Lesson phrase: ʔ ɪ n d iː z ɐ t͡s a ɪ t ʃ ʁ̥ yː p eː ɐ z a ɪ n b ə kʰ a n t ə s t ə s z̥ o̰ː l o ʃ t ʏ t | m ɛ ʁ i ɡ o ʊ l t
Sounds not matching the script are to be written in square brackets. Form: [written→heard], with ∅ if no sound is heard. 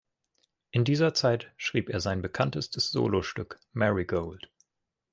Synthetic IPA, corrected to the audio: ʔ ɪ n d iː z ɐ t͡s a ɪ t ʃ ʁ̥ [yː→iː] p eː ɐ z a ɪ n b ə kʰ a n t ə s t ə s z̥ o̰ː l o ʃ t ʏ [t→k] | m ɛ ʁ i ɡ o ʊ l t